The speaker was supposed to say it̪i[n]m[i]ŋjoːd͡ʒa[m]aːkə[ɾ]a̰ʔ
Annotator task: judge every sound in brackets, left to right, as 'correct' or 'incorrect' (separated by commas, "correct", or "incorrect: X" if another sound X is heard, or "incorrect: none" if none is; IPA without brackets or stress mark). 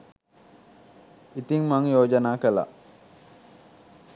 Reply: incorrect: ŋ, incorrect: a, incorrect: n, incorrect: l